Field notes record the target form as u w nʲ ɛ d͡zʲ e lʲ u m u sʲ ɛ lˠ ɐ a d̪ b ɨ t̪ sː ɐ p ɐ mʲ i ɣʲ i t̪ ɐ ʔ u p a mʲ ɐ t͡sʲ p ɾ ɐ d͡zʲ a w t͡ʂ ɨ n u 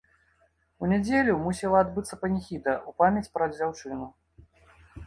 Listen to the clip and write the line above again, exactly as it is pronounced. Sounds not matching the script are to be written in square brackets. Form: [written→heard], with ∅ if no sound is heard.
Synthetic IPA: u [w→∅] nʲ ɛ d͡zʲ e lʲ u m u sʲ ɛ lˠ ɐ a d̪ b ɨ t̪ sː ɐ p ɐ [mʲ→nʲ] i [ɣʲ→xʲ] i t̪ ɐ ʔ u p a mʲ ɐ t͡sʲ p ɾ ɐ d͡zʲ a w t͡ʂ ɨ n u